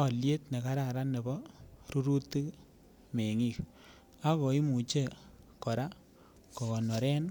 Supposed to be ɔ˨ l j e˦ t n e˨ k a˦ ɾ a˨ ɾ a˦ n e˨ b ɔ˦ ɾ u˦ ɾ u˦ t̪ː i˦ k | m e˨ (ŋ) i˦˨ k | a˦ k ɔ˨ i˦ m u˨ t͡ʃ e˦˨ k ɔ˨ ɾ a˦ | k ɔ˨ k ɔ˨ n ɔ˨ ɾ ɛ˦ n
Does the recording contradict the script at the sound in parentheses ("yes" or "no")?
no